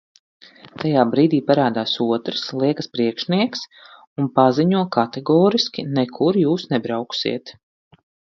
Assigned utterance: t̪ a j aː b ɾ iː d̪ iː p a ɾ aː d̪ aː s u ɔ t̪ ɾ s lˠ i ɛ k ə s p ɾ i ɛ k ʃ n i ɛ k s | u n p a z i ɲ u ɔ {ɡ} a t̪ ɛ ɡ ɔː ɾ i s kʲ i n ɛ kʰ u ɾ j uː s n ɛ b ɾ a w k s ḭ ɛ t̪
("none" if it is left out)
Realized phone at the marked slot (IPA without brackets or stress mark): k